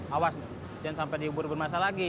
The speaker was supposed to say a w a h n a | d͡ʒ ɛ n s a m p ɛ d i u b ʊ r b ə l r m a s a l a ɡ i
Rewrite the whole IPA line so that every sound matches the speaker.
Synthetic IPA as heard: a w a s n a | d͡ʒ a n s a m p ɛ d i u b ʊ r b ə r m a s a l a ɡ i